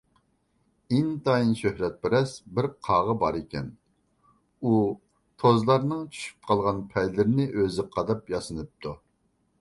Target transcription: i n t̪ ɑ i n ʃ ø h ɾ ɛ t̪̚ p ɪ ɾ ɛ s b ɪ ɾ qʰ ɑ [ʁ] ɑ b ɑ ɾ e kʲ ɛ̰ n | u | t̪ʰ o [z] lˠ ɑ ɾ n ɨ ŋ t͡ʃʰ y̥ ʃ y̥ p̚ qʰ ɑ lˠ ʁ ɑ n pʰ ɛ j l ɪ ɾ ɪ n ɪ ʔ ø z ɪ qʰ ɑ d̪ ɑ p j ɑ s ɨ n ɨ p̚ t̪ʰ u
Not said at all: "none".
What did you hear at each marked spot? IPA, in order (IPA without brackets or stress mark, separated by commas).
ʁ, z